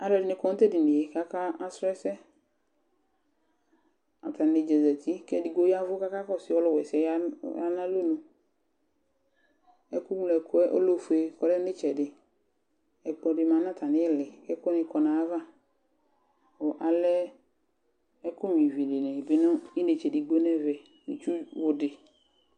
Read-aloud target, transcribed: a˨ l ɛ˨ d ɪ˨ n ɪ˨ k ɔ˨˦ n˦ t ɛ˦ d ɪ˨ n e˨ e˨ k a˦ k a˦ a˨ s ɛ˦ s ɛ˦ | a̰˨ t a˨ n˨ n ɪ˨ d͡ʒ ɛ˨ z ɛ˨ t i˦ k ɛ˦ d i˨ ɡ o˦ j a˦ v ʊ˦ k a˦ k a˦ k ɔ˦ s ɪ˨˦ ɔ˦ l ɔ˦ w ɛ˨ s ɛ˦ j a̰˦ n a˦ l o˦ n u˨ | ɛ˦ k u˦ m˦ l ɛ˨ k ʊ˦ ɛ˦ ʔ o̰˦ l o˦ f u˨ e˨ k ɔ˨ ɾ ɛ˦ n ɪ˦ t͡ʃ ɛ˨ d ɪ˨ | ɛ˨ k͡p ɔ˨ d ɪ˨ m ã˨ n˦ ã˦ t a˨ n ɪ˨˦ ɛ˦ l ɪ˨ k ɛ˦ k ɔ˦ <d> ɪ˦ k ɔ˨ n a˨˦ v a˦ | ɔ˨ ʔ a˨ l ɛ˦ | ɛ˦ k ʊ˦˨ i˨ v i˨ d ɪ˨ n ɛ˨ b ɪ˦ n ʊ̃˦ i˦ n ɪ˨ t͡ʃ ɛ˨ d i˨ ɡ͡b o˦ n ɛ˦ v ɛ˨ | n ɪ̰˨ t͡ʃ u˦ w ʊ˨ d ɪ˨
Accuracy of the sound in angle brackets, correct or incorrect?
incorrect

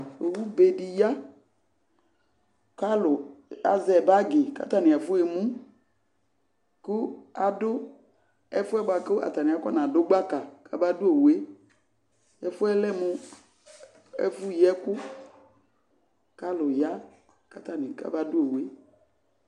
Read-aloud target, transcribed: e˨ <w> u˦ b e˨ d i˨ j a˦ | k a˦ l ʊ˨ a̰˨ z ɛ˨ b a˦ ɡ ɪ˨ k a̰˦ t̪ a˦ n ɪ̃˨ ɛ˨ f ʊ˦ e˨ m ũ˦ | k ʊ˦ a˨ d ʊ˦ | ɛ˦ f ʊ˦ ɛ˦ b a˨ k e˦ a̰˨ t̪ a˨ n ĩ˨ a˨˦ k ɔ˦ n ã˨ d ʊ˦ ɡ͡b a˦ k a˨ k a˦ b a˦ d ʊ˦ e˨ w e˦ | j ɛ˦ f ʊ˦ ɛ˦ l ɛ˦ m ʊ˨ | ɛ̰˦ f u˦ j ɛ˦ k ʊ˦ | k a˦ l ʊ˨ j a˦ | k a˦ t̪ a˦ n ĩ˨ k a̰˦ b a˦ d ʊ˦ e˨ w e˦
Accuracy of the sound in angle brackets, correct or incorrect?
correct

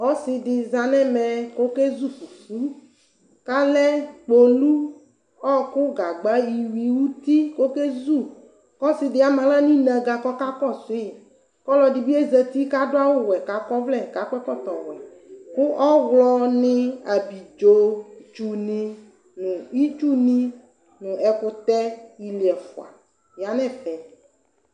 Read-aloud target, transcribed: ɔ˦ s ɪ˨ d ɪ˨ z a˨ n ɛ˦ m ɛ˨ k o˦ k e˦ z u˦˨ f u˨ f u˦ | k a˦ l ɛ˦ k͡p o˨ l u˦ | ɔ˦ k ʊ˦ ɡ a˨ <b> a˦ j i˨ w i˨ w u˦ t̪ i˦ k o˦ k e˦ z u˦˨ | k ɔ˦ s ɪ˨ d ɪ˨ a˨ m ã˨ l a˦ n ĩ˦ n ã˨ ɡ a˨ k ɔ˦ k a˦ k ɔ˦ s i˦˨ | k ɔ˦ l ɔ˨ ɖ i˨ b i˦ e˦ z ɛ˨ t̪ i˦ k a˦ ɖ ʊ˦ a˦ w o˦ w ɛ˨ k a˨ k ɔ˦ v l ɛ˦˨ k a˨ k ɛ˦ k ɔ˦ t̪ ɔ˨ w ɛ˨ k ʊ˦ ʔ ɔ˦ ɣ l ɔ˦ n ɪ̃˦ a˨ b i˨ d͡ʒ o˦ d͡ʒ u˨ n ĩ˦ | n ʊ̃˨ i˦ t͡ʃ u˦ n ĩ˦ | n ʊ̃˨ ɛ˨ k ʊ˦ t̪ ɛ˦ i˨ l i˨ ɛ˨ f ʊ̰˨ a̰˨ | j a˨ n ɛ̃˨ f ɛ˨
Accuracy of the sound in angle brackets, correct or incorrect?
incorrect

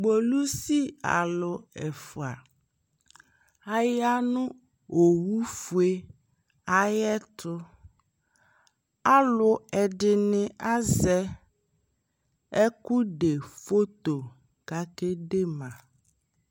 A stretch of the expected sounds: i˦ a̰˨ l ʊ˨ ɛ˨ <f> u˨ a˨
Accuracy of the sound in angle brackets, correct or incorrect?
correct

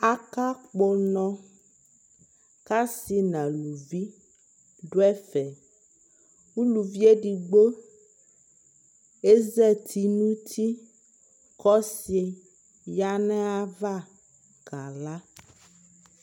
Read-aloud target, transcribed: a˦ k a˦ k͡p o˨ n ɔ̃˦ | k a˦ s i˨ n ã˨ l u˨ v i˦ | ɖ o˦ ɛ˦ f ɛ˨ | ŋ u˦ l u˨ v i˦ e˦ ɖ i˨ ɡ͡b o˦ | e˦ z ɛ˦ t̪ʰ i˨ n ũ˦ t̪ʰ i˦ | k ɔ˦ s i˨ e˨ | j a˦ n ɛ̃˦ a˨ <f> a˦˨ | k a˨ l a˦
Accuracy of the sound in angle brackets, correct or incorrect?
incorrect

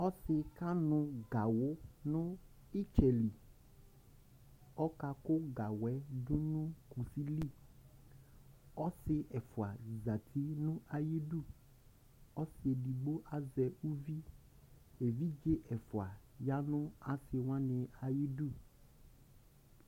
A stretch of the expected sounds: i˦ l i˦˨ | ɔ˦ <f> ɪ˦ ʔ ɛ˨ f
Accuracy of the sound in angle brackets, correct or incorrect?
incorrect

